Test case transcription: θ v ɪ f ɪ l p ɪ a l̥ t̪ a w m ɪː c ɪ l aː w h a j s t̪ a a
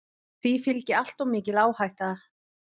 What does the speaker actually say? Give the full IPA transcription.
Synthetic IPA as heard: θ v i f ɪ l c ɪ a l̥ t̪ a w m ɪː c ɪ l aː w h a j h t̪ a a

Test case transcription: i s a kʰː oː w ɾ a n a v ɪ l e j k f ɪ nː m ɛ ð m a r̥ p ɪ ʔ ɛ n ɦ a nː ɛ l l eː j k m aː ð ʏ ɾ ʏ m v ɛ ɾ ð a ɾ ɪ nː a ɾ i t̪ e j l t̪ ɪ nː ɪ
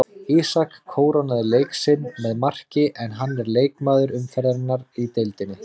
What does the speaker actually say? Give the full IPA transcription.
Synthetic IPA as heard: i s a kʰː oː w ɾ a n a ð ɪ l e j k s ɪ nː m ɛ ð m a r̥ c ɪ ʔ ɛ n ɦ a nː ɛ ɾ l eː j k m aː ð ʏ ɾ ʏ m f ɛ ɾ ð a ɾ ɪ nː a ɾ i t̪ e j l t̪ ɪ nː ɪ

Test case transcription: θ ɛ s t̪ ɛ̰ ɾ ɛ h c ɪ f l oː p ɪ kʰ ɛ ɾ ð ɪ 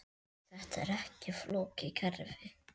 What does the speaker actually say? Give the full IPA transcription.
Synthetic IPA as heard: θ ɛ h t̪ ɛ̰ ɾ ɛ h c ɪ f l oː c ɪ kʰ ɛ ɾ v ɪ

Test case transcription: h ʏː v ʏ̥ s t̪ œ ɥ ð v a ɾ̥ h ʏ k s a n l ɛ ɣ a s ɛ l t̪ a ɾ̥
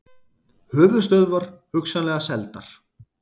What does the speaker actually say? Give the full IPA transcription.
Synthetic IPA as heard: h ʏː v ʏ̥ s t̪ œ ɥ ð v a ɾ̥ h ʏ k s a n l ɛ ɣ a s ɛ l t̪ a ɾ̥

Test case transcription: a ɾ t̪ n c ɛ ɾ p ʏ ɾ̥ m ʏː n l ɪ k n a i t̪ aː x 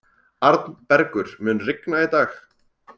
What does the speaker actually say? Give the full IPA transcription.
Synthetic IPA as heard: a ɾ t̪ n p ɛ ɾ k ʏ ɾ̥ m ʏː n r ɪ k n a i t̪ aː x

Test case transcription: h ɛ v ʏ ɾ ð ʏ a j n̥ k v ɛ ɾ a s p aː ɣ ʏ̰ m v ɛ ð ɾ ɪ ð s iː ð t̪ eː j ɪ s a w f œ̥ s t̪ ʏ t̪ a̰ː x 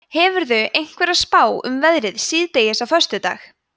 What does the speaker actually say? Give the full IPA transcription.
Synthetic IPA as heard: h ɛ v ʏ ɾ ð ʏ e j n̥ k v ɛ ɾ a s p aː w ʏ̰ m v ɛ ð ɾ ɪ ð s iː ð t̪ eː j ɪ s a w f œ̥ s t̪ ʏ t̪ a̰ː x

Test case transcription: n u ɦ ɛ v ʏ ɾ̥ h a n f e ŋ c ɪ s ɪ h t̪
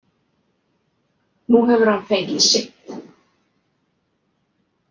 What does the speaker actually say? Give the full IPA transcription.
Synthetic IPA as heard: n u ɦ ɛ v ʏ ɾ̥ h a n f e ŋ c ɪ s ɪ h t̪

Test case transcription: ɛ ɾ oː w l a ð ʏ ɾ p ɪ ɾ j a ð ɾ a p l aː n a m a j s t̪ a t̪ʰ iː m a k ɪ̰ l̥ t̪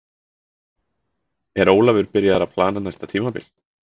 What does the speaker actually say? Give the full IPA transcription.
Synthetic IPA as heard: ɛ ɾ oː w l a v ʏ ɾ p ɪ ɾ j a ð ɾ a pʰ l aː n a n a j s t̪ a t̪ʰ iː m a p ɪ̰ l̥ t̪

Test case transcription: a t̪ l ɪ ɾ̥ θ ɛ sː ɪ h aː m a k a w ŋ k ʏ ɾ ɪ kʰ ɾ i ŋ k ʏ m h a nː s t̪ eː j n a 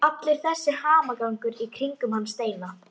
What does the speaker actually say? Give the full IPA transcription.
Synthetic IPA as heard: a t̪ l ɪ ɾ̥ θ ɛ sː ɪ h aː m a k a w ŋ k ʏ ɾ i kʰ ɾ i ŋ k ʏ m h a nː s t̪ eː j n a

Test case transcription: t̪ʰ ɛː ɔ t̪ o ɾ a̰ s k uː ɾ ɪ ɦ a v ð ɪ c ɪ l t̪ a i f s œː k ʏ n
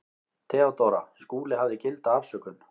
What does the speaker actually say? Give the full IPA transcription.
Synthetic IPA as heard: t̪ʰ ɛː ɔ t̪ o ɾ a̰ s k uː l ɪ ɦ a v ð ɪ c ɪ l t̪ a a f s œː k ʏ n

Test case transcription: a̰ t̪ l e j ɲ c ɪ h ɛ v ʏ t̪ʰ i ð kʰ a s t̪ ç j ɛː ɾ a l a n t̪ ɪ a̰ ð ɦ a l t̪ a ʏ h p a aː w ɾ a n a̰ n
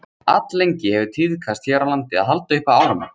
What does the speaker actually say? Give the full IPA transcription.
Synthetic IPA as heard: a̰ t̪ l e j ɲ c ɪ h ɛ v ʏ t̪ʰ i ð kʰ a s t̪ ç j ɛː ɾ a l a n t̪ ɪ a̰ ð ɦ a l t̪ a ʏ h p a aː w ɾ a m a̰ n

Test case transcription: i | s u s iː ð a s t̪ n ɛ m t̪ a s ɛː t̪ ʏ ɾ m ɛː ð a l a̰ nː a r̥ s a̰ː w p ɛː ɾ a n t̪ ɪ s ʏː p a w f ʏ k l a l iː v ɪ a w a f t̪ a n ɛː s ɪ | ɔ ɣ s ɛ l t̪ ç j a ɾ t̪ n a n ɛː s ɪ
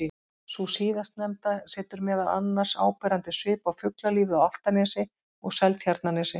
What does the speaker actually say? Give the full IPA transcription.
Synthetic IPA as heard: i | s u s iː ð a s t̪ n ɛ m t̪ a s ɛː t̪ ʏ ɾ m ɛː ð a l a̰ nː a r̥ s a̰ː w p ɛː ɾ a n t̪ ɪ s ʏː p a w f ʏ k l a l iː v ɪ a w a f t̪ a n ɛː s ɪ | ɔ ɣ s ɛ l t̪ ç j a ɾ t̪ n a n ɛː s ɪ

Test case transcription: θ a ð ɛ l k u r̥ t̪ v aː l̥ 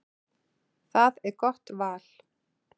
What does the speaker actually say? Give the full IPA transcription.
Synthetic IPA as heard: θ a ð ɛ ɾ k ɔ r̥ t̪ v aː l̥

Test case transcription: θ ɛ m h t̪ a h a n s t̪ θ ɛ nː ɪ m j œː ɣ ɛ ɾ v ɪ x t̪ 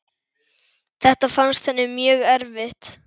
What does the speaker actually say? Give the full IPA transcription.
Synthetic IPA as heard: θ ɛ h t̪ a f a n s t̪ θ ɛ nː ɪ m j œː ɣ ɛ ɾ v ɪ h t̪

